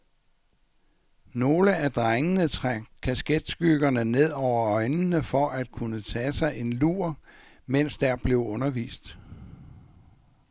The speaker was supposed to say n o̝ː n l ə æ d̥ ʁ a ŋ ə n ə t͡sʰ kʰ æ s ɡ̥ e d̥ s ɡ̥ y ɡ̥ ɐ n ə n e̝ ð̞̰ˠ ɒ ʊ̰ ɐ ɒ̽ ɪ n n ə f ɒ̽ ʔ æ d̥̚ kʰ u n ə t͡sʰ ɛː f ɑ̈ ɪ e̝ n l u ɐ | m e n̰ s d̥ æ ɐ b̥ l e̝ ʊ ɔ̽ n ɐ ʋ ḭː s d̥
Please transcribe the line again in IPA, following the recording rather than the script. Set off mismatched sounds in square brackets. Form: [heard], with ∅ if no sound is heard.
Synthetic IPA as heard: n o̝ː [∅] l ə æ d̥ ʁ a ŋ ə n ə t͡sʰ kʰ æ s ɡ̥ e d̥ s ɡ̥ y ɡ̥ ɐ n ə n e̝ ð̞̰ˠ ɒ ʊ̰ ɐ ɒ̽ ɪ n n ə f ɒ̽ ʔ æ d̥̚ kʰ u n ə t͡sʰ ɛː [s] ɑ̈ ɪ e̝ n l u ɐ | m e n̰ s d̥ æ ɐ b̥ l e̝ ʊ ɔ̽ n ɐ ʋ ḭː s d̥